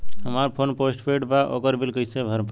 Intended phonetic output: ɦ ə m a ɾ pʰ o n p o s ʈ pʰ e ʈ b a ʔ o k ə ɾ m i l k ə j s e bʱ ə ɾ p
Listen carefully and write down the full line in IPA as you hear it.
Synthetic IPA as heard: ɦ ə m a ɾ pʰ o n p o s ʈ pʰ e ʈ b a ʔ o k ə ɾ b i l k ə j s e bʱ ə ɾ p